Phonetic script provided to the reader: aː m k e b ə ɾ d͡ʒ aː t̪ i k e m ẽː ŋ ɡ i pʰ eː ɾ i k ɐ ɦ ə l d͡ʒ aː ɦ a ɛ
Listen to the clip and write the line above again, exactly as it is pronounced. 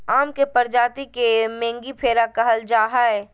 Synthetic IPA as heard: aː m k e p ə ɾ d͡ʒ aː t̪ i k e m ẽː ŋ ɡ i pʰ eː ɾ a k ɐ ɦ ə l d͡ʒ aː ɦ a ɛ